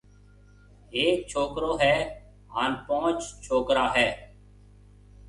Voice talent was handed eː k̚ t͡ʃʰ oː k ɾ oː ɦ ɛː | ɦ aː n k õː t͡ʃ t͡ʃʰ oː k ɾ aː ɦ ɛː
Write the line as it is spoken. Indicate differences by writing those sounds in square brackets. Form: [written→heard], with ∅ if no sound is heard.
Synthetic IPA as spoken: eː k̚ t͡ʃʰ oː k ɾ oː ɦ ɛː | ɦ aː n [k→p] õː t͡ʃ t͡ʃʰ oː k ɾ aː ɦ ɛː